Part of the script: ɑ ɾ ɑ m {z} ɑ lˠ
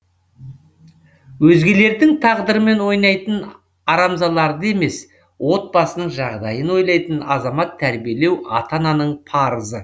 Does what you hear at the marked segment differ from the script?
no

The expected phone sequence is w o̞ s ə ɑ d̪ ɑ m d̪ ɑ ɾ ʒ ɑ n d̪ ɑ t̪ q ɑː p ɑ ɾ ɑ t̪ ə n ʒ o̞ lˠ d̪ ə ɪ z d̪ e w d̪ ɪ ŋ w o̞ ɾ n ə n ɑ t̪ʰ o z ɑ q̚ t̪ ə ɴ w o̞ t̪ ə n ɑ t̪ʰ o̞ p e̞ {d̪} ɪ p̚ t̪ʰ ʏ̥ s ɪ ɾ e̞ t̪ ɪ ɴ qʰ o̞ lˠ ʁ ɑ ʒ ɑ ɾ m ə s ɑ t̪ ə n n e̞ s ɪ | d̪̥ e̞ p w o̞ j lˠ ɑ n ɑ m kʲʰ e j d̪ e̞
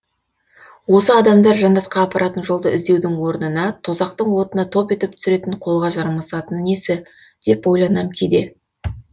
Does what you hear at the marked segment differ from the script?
yes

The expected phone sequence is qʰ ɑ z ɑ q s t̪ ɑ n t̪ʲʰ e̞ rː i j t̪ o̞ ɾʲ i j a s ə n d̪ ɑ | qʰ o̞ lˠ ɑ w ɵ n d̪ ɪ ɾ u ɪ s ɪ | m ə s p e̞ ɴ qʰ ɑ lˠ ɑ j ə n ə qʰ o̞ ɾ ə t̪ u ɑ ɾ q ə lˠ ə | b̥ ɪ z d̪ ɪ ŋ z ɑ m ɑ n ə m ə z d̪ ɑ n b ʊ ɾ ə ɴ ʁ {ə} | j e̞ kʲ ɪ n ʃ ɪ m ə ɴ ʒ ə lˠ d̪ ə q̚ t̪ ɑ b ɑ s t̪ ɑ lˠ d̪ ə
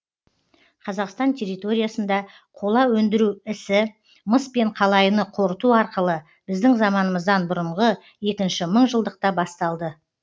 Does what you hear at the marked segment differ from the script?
no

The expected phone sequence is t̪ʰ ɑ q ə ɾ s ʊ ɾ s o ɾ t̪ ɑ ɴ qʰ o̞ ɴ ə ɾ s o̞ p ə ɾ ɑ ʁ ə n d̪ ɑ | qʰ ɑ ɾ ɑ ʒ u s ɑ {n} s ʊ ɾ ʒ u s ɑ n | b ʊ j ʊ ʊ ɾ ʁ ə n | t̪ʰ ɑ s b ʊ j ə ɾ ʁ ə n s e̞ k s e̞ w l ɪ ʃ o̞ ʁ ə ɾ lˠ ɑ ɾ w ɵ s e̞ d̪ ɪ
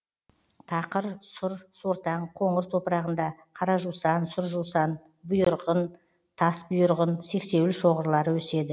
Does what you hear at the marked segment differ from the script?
no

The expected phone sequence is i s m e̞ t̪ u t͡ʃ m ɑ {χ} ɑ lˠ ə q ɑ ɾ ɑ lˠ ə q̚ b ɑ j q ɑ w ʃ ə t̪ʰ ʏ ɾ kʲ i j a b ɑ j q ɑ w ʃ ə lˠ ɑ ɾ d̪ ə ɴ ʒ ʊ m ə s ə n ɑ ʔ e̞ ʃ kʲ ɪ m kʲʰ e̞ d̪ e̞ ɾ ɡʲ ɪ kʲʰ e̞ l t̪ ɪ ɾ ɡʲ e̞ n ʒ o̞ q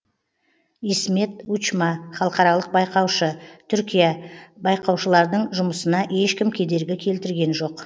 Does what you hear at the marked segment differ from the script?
no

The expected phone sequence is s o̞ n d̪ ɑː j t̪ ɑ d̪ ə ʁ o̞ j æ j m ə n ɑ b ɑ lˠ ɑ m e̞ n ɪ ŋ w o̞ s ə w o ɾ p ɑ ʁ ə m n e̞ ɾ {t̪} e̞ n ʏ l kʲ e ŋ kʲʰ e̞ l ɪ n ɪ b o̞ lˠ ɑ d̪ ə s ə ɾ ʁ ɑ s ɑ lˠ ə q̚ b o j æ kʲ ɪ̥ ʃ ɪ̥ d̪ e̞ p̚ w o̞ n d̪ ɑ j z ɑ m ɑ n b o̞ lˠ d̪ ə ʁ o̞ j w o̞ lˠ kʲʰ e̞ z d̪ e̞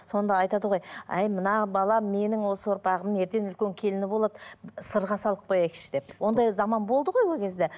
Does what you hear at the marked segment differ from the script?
no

